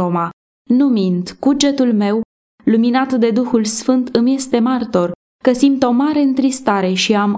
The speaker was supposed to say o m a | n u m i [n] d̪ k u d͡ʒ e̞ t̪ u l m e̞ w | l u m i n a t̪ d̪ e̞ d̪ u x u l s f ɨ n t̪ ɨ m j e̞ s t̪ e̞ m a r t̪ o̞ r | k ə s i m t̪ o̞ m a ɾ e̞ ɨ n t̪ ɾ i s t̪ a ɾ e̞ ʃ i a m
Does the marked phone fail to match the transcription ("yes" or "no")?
no